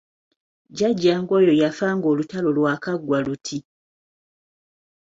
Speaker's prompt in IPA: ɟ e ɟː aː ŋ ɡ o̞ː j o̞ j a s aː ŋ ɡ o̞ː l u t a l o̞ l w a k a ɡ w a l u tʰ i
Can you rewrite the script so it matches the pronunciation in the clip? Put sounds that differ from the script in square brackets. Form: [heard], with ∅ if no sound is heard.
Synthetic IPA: ɟ [a] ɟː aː ŋ ɡ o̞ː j o̞ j a [f] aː ŋ ɡ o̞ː l u t a l o̞ l w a k a ɡ w a l u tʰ i

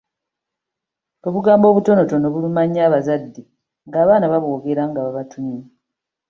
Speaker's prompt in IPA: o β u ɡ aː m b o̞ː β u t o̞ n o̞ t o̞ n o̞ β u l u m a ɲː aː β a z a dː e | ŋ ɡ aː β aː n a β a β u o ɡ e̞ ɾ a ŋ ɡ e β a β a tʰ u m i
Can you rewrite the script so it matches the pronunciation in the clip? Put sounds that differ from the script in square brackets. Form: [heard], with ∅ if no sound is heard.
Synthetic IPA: o β u ɡ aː m b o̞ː β u t o̞ n o̞ t o̞ n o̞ β u l u m a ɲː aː β a z a dː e | ŋ ɡ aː β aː n a β a β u o ɡ e̞ ɾ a ŋ ɡ [a] β a β a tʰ u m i

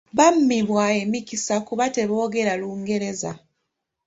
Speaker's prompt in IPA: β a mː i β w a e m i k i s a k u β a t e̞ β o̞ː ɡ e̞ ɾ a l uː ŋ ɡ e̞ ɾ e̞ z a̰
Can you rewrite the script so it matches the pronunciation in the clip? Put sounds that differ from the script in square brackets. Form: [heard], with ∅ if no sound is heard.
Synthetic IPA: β a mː i β w a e m i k i s a k u β a t e̞ β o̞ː ɡ e̞ ɾ a l uː ŋ ɡ e̞ ɾ e̞ z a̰

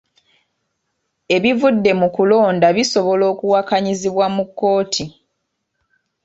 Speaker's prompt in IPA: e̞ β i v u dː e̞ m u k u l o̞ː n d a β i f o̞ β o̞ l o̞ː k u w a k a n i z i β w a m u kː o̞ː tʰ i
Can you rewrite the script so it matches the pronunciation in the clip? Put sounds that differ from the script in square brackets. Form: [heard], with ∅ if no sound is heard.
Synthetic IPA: e̞ β i v u dː e̞ m u k u l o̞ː n d a β i [s] o̞ β o̞ l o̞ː k u w a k a [ɲ] i z i β w a m u kː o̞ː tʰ i

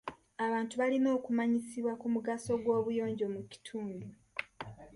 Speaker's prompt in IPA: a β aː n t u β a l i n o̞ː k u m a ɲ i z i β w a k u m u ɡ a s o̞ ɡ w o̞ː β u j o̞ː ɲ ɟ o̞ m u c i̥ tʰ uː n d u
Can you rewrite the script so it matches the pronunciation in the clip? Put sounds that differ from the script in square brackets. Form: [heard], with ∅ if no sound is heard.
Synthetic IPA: a β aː n t u β a l i n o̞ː k u m a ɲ i [s] i β w a k u m u ɡ a s o̞ ɡ w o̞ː β u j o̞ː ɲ ɟ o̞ m u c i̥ tʰ uː n d u

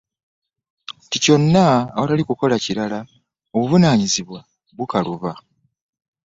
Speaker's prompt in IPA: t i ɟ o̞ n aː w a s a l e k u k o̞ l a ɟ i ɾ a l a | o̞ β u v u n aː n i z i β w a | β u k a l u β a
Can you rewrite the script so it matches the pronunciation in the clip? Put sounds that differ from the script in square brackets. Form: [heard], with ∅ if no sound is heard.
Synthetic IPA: t i [c] o̞ [nː] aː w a [t] a l [i] k u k o̞ l a [c] i ɾ a l a | o̞ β u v u n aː [ɲ] i z i β w a | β u k a l u β a

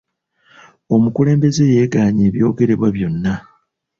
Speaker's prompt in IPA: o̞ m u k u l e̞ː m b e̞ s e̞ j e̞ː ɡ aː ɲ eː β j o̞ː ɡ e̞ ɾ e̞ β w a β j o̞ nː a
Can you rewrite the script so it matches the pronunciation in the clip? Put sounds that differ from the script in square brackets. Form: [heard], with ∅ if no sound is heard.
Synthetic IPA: o̞ m u k u l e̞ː m b e̞ [z] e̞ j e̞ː ɡ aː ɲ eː β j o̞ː ɡ e̞ ɾ e̞ β w a β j o̞ nː a

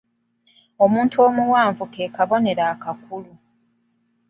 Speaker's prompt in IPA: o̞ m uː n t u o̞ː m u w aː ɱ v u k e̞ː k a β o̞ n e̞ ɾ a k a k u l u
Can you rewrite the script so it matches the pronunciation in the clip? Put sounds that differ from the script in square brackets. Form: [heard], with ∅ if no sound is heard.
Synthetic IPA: o̞ m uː n t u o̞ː m u w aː ɱ v u k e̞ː k a β o̞ n e̞ ɾ a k a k u l u

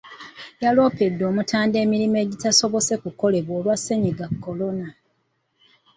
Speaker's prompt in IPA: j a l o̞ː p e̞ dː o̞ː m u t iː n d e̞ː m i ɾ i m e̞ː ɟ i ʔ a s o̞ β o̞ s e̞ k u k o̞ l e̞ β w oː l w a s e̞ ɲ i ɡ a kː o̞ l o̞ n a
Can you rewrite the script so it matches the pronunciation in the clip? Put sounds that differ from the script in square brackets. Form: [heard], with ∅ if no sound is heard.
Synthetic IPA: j a l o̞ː p e̞ dː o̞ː m u t [aː] n d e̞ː m i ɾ i m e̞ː ɟ i [t] a s o̞ β o̞ s e̞ k u k o̞ l e̞ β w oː l w a s e̞ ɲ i ɡ a kː o̞ l o̞ n a

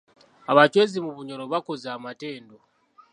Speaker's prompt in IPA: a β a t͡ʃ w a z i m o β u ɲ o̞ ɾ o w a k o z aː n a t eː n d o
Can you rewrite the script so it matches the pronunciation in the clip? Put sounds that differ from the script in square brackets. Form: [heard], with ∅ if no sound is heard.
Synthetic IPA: a β a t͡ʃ w [e] z i m [u] β u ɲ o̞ ɾ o [β] a k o z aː [m] a t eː n d o

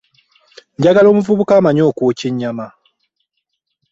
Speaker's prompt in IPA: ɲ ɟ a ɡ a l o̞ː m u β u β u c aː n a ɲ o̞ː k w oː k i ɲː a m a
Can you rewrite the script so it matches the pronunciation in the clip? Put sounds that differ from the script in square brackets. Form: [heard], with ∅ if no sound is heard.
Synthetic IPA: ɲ ɟ a ɡ a l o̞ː m u [v] u β u [k] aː [m] a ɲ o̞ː k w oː [c] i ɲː a m a

